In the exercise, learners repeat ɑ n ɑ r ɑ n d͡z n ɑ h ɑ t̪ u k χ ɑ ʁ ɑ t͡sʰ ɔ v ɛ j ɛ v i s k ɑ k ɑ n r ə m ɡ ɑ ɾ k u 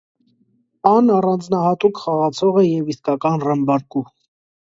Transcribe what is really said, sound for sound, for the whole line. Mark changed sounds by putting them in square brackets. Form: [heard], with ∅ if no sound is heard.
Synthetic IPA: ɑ n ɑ r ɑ n d͡z n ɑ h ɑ t̪ u k χ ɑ ʁ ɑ t͡sʰ ɔ [ʁ] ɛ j ɛ v i s k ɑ k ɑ n r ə m [b] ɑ ɾ k u